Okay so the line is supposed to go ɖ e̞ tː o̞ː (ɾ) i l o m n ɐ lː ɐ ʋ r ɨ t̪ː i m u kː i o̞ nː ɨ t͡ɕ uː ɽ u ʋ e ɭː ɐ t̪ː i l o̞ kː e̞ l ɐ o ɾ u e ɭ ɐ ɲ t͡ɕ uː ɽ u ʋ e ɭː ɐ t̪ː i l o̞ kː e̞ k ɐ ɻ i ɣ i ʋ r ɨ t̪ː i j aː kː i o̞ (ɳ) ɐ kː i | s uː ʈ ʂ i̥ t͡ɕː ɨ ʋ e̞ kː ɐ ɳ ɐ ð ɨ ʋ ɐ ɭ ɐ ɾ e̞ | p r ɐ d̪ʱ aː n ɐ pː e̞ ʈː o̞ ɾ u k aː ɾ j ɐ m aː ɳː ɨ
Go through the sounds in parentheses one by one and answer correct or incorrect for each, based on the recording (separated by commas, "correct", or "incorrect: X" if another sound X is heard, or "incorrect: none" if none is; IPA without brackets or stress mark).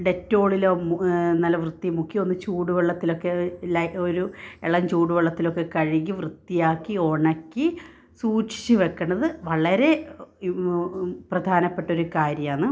incorrect: ɭ, correct